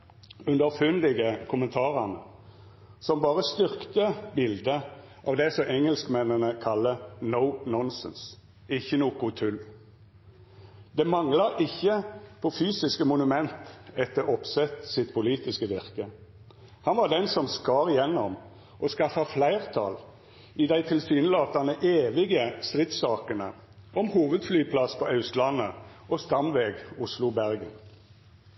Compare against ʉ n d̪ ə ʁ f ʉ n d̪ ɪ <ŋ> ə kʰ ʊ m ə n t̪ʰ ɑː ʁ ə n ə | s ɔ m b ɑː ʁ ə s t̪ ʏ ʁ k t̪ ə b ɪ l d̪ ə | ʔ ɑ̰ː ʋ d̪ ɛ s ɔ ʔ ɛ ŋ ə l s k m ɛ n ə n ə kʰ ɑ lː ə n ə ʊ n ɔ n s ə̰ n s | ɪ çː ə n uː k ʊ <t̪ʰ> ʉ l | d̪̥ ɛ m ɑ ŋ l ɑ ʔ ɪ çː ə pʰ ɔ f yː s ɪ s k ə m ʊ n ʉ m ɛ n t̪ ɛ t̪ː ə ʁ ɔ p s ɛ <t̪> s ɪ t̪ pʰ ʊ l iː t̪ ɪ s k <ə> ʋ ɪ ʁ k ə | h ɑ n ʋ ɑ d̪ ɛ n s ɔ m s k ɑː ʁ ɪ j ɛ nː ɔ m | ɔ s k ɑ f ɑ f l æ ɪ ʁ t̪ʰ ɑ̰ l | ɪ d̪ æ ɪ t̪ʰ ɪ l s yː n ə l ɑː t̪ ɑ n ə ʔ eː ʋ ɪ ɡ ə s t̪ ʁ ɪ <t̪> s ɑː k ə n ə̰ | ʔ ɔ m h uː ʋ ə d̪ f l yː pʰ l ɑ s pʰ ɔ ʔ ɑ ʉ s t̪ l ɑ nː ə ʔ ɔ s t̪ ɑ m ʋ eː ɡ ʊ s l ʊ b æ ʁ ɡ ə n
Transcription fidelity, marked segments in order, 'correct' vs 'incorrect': incorrect: ɡ, correct, correct, correct, correct

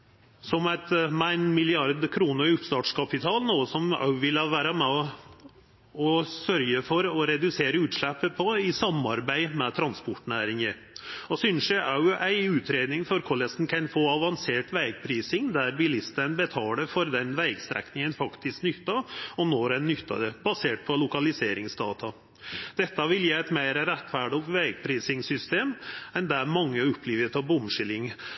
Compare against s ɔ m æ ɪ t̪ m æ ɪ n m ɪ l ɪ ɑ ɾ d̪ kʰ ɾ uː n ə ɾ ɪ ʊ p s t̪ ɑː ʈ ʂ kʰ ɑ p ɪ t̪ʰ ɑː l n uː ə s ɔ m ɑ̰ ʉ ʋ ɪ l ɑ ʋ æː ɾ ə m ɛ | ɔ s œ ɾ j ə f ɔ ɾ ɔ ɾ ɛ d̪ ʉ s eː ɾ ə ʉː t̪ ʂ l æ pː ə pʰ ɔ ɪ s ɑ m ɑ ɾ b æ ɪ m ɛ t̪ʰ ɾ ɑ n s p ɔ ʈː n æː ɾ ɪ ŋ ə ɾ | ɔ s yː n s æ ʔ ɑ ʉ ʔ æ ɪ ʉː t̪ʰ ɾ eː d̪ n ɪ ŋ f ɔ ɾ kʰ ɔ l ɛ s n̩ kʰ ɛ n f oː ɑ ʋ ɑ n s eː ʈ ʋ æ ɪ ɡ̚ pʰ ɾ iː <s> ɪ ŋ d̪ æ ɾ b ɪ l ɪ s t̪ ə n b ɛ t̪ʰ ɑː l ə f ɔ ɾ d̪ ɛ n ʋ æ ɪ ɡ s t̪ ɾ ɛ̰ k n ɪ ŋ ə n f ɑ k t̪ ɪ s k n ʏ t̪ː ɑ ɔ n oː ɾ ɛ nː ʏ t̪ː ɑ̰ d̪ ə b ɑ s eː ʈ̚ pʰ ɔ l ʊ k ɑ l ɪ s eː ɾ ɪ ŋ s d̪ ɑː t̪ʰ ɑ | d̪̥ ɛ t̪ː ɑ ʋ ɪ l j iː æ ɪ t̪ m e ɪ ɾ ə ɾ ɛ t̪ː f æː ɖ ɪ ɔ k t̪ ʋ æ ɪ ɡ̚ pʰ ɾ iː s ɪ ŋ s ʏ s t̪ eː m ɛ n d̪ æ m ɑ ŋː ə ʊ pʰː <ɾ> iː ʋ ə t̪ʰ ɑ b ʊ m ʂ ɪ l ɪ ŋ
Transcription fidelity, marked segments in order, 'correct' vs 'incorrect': correct, incorrect: l

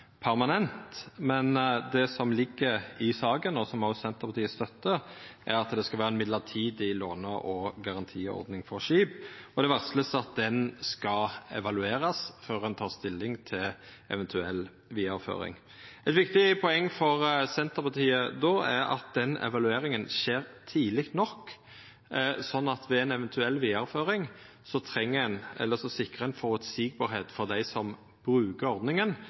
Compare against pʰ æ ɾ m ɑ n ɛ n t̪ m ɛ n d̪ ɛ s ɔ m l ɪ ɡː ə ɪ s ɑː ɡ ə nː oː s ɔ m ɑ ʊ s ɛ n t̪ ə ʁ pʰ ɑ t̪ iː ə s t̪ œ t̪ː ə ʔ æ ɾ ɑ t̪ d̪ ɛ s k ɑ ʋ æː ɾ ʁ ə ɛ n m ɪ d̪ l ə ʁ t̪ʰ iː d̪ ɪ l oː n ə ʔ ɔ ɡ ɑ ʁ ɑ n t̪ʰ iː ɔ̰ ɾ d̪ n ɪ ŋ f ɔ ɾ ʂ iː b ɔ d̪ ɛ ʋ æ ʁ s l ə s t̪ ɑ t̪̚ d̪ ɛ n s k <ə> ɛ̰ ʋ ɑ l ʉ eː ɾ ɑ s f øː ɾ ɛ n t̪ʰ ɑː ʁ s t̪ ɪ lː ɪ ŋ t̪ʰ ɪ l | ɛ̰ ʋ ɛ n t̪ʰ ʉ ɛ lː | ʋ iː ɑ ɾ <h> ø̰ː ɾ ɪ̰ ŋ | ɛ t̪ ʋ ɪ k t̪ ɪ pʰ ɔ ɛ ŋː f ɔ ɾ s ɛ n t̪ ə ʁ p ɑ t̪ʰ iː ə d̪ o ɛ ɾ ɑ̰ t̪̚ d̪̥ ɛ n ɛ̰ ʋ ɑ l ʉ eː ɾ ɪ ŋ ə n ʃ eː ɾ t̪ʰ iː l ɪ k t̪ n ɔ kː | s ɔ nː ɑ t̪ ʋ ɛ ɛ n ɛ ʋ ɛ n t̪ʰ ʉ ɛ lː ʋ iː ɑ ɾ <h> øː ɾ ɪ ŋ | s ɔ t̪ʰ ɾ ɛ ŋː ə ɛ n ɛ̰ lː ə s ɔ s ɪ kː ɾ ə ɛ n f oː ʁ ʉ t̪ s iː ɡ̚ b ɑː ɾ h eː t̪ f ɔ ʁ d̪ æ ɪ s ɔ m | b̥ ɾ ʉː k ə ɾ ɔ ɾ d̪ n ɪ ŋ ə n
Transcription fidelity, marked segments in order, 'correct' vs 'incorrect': incorrect: ɑ, incorrect: f, incorrect: f

